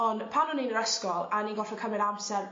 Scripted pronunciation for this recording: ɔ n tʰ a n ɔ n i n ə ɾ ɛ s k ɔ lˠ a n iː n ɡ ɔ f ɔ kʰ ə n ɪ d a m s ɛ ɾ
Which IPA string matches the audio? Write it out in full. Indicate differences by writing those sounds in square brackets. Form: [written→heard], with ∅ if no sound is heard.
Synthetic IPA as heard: ɔ n [tʰ→pʰ] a n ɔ n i n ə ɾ ɛ s k ɔ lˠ a n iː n ɡ ɔ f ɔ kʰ ə [n→m] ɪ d a m s ɛ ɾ